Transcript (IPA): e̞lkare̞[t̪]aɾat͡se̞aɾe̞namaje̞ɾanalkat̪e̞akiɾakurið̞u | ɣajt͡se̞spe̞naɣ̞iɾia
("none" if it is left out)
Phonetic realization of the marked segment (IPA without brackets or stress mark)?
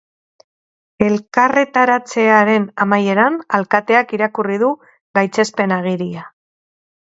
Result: t̪